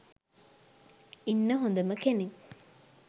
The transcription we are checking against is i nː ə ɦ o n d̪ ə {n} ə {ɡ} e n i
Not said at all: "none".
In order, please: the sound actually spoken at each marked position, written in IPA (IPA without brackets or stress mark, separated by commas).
m, k